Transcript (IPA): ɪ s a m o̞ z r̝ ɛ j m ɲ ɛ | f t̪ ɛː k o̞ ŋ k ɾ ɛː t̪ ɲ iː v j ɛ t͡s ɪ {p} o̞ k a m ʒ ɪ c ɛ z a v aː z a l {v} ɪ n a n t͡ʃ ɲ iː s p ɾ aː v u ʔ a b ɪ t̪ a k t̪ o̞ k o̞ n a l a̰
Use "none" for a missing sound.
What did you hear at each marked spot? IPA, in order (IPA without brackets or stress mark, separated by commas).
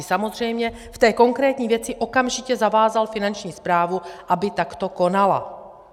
ʔ, f